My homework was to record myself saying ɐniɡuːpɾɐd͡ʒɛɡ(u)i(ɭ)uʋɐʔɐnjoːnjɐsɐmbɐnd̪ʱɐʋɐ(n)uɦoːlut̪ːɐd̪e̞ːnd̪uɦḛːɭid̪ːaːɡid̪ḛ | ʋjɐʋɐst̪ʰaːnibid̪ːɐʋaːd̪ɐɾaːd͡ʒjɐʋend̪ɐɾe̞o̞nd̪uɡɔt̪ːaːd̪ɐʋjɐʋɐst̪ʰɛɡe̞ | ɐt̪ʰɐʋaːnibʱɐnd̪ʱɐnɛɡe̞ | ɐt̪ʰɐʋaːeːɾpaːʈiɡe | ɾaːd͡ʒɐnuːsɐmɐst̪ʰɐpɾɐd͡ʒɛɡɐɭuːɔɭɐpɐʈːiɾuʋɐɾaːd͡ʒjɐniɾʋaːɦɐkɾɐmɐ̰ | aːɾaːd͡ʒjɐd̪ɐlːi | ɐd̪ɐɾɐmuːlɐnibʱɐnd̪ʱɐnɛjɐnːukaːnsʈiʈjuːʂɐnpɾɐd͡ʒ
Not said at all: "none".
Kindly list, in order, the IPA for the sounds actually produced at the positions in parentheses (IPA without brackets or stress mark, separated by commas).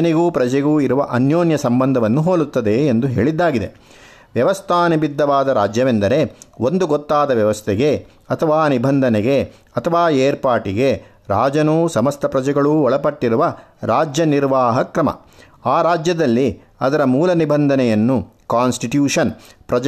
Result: uː, ɾ, nː